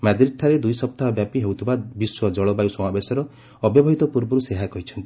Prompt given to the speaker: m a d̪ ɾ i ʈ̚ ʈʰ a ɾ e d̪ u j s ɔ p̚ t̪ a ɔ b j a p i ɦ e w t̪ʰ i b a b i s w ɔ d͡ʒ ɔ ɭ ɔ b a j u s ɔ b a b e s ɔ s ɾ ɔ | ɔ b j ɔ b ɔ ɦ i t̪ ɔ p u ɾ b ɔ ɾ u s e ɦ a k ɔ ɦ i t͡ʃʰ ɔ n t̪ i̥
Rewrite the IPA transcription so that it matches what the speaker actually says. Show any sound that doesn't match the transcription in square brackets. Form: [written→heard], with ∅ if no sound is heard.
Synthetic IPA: m a d̪ ɾ i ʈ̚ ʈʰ a ɾ e d̪ u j s ɔ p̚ t̪ a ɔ b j a p i ɦ e w t̪ʰ i b a b i s w ɔ d͡ʒ ɔ ɭ ɔ b a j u s ɔ [b→m] a b e s ɔ [s→∅] ɾ ɔ | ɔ b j ɔ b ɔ ɦ i t̪ ɔ p u ɾ b ɔ ɾ u s e ɦ a k ɔ ɦ i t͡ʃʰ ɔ n t̪ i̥

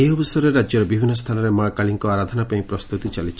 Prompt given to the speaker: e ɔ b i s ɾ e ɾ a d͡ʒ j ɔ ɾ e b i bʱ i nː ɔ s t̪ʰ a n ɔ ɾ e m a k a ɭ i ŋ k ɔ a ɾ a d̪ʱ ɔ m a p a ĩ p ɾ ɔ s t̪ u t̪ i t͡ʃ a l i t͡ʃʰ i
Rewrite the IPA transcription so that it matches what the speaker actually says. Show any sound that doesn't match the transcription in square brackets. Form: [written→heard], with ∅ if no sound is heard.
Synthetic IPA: e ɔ b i s ɾ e ɾ a d͡ʒ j ɔ ɾ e b i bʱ i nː ɔ s t̪ʰ a n ɔ ɾ e m a k a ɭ i ŋ k ɔ a ɾ a d̪ʱ ɔ [m→n] a p a ĩ p ɾ ɔ s t̪ u t̪ i t͡ʃ a l i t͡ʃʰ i

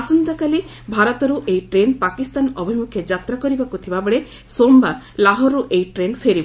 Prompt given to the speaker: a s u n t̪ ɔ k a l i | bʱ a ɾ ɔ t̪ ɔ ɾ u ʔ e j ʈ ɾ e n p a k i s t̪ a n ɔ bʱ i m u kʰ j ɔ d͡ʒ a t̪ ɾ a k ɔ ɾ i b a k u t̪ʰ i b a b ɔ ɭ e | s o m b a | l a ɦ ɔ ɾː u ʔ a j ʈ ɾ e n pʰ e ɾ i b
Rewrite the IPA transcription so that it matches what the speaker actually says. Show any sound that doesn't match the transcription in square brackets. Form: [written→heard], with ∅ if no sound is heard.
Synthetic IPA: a s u n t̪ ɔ k a l i | bʱ a ɾ ɔ t̪ ɔ ɾ u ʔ e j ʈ ɾ e n p a k i s t̪ a n ɔ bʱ i m u kʰ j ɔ d͡ʒ a t̪ ɾ a k ɔ ɾ i b a k u t̪ʰ i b a b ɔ ɭ e | s o m b a | l a ɦ ɔ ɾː u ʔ [a→e] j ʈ ɾ e n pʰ e ɾ i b

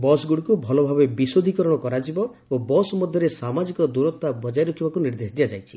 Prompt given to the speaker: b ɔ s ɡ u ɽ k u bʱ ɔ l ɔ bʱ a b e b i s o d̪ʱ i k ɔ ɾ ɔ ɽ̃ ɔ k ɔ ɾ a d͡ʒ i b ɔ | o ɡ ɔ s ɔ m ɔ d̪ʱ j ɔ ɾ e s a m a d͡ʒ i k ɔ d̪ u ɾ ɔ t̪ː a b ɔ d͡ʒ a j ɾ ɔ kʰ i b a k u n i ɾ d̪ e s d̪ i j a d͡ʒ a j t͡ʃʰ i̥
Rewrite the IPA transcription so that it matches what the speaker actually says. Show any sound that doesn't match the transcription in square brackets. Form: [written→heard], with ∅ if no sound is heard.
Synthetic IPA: b ɔ s ɡ u ɽ k u bʱ ɔ l ɔ bʱ a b e b i s o d̪ʱ i k ɔ ɾ ɔ ɽ̃ ɔ k ɔ ɾ a d͡ʒ i b ɔ | o [ɡ→b] ɔ s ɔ m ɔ d̪ʱ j ɔ ɾ e s a m a d͡ʒ i k ɔ d̪ u ɾ ɔ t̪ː a b ɔ d͡ʒ a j ɾ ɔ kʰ i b a k u n i ɾ d̪ e s d̪ i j a d͡ʒ a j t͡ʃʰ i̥

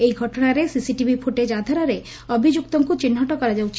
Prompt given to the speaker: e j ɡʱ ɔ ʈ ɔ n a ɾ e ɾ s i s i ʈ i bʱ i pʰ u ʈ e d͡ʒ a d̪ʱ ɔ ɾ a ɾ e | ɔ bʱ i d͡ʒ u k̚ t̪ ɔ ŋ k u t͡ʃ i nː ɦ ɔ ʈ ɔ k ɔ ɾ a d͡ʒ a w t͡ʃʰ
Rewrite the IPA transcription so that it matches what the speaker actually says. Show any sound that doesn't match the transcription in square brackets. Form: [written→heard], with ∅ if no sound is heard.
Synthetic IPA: e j ɡʱ ɔ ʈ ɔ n a ɾ e [ɾ→∅] s i s i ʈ i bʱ i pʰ u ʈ e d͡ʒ a d̪ʱ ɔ ɾ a ɾ e | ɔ bʱ i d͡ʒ u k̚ t̪ ɔ ŋ k u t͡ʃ i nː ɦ ɔ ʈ ɔ k ɔ ɾ a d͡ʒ a w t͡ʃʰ

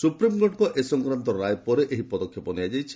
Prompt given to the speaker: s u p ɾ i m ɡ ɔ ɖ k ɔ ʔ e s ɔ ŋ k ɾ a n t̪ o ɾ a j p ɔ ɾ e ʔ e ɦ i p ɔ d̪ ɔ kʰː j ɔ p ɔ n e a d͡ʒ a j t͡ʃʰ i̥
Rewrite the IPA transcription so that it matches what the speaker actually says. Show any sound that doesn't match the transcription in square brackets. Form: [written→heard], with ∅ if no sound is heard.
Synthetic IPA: s u p ɾ i m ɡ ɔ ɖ k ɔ ʔ e s ɔ ŋ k ɾ a n t̪ [o→ɔ] ɾ a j p ɔ ɾ e ʔ e ɦ i p ɔ d̪ ɔ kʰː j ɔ p ɔ n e a d͡ʒ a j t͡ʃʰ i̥

